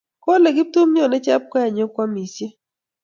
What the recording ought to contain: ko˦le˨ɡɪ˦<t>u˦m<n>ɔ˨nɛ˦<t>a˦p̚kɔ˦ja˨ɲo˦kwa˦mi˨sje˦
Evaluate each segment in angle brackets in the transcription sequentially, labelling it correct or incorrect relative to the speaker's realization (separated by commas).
correct, incorrect, incorrect